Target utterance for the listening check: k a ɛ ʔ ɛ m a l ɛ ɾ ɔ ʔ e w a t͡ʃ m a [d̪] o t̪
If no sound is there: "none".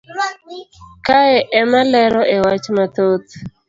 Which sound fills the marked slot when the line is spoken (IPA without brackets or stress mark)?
t̪